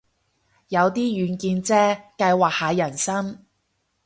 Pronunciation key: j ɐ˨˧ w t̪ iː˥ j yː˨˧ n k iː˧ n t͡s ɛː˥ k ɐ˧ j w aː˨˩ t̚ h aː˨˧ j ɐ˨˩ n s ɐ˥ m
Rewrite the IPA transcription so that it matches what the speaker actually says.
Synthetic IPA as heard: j ɐ˨˧ w t̪ iː˥ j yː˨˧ n k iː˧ n t͡s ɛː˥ k ɐ˧ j w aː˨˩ k̚ h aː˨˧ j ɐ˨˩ n s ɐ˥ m

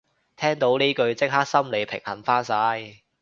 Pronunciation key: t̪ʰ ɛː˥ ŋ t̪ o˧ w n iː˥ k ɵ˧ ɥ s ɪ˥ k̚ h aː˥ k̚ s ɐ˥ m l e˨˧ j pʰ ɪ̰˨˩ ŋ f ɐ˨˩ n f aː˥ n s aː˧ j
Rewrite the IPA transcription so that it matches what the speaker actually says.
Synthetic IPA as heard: t̪ʰ ɛː˥ ŋ t̪ o˨˥ w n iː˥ k ɵ˧ ɥ t͡s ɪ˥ k̚ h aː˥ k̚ s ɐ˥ m l e˨˧ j pʰ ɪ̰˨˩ ŋ h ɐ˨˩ n f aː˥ n s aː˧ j

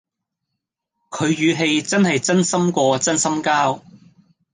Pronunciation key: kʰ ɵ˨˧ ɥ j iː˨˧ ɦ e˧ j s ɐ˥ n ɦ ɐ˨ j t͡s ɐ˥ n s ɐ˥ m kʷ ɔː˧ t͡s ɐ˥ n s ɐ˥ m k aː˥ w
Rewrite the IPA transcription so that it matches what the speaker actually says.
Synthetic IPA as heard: kʰ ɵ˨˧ ɥ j yː˨˧ ɦ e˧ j t͡s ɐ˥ n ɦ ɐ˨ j t͡s ɐ˥ n s ɐ˥ m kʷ ɔː˧ t͡s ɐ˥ n s ɐ˥ m k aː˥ w

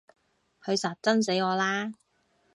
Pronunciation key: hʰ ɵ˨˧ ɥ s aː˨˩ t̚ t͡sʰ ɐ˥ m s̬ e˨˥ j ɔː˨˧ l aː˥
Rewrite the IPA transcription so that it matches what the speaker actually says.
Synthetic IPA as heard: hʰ ɵ˨˧ ɥ s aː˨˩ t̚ t͡s ɐ˥ n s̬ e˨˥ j ɔː˨˧ l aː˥

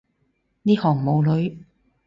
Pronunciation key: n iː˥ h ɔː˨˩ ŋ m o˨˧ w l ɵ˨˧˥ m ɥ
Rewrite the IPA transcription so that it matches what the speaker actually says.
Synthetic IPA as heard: n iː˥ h ɔː˨˩ ŋ m o˨˧ w l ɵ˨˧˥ ɥ

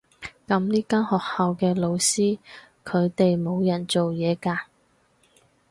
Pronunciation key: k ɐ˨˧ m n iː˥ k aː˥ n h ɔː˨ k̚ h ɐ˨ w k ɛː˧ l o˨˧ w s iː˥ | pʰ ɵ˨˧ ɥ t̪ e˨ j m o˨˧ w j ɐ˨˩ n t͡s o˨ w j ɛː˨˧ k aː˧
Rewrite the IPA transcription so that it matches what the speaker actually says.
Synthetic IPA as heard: k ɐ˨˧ m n iː˥ k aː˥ n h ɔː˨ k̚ h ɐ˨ w k ɛː˧ l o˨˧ w s iː˥ | kʰ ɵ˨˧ ɥ t̪ e˨ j m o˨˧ w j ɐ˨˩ n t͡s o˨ w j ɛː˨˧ k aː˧

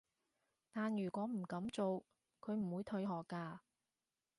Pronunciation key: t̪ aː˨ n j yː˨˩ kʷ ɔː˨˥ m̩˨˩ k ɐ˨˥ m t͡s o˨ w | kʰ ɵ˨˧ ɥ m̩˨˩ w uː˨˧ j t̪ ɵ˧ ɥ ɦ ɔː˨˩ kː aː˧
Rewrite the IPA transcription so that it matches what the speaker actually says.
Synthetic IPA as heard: t̪ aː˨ n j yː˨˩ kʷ ɔː˨˥ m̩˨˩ k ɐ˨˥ m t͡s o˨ w | kʰ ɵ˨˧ ɥ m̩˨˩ w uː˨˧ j t̪ʰ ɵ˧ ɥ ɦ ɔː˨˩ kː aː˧

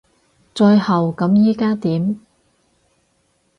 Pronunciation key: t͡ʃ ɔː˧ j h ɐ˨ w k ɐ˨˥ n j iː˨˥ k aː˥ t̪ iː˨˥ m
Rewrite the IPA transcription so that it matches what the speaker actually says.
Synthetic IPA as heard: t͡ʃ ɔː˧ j h ɐ˨ w k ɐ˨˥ m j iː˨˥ k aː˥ t̪ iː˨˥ m

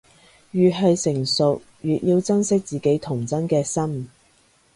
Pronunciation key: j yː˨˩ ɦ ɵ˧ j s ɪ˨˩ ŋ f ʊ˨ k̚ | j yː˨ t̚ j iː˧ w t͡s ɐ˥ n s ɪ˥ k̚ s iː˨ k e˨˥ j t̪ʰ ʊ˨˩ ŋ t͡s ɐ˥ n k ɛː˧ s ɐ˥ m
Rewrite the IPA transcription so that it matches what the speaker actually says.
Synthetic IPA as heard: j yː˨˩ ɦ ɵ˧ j s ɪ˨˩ ŋ s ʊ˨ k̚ | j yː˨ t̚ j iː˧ w t͡s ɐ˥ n s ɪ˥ k̚ t͡s iː˨ k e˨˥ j t̪ʰ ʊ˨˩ ŋ t͡s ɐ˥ n k ɛː˧ s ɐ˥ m

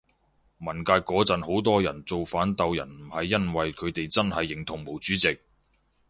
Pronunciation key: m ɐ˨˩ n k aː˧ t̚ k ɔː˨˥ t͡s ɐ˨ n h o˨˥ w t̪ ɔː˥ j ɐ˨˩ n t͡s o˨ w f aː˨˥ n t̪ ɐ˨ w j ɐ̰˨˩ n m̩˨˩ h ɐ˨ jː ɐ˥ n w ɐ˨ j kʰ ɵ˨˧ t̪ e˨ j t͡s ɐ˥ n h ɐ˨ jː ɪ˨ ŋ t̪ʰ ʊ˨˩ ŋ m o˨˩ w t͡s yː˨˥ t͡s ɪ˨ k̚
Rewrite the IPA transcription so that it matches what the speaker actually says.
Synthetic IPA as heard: m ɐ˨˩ n k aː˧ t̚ k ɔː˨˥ t͡s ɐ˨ n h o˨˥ w t̪ ɔː˥ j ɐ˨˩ n t͡s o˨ w f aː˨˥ n t̪ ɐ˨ w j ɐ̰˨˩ n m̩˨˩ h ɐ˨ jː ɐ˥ n w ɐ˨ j kʰ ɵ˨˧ t̪ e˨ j t͡s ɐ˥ n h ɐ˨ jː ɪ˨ ŋ t̪ʰ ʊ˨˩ ŋ m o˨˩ w t͡s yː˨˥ t͡s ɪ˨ k̚

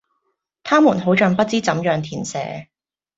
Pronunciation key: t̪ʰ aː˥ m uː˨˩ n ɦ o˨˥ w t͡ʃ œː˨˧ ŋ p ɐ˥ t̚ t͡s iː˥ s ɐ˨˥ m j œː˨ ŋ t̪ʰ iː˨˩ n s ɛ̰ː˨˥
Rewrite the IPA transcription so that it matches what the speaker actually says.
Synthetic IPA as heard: t̪ʰ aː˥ m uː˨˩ n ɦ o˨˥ w t͡ʃ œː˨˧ ŋ p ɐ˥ t̚ t͡s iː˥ t͡s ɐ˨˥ m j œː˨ ŋ t̪ʰ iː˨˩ n s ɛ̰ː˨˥

